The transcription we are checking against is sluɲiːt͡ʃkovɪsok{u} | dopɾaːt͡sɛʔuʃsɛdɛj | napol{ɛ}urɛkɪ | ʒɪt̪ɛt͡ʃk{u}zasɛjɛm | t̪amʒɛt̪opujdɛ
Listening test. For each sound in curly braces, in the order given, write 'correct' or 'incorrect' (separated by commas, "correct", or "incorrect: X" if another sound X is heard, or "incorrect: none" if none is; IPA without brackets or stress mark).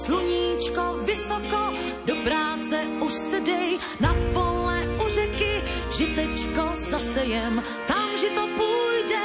incorrect: o, correct, incorrect: o